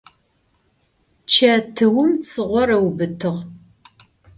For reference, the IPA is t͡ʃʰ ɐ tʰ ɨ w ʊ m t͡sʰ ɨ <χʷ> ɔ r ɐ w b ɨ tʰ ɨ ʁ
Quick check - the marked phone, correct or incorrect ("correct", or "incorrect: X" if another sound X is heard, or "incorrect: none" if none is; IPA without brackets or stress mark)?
incorrect: ʁʷ